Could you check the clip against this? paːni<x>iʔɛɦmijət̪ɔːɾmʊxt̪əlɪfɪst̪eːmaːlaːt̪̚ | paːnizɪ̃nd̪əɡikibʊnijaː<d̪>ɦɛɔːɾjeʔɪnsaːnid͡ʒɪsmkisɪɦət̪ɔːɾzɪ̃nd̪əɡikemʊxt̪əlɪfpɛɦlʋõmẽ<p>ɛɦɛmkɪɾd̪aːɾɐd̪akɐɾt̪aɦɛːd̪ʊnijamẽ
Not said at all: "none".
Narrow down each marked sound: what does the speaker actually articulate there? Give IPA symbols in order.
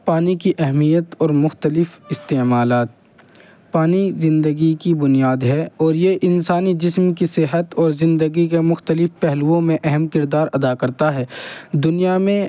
k, d̪, ʔ

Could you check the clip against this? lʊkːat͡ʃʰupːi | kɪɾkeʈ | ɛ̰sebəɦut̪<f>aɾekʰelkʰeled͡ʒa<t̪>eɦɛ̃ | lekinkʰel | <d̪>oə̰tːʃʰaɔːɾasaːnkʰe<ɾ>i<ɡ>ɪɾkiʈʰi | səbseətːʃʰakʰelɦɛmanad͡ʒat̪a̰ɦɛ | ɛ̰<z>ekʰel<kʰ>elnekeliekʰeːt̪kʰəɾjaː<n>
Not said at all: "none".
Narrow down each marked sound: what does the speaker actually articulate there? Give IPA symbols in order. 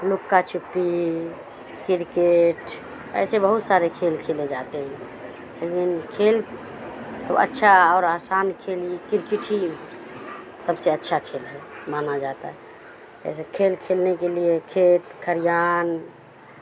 s, t̪, t̪, l, k, s, kʰ, n

